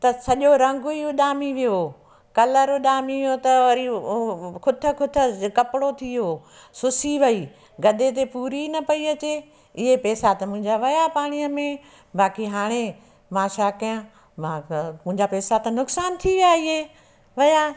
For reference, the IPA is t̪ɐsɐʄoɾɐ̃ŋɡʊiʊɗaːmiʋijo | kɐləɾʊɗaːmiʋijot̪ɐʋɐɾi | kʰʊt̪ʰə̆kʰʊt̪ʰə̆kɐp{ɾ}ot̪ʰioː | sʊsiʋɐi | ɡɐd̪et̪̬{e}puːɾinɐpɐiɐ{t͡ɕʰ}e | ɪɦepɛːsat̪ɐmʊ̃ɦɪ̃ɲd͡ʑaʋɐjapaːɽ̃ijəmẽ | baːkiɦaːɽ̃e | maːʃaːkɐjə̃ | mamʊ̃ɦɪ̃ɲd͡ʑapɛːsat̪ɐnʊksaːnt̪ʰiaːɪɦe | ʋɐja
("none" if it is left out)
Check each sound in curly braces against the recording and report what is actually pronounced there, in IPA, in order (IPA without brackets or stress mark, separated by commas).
ɽ, e, t͡ɕ